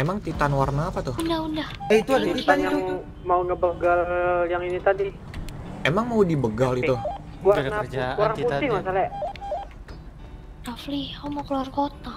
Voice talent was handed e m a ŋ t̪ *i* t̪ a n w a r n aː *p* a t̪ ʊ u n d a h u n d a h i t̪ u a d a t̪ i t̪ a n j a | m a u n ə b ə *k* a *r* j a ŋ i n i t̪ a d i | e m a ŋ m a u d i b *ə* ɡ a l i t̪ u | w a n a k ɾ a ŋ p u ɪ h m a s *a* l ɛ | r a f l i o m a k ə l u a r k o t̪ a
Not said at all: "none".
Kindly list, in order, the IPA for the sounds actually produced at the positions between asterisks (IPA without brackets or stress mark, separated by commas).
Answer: i, p, ɡ, l, ə, a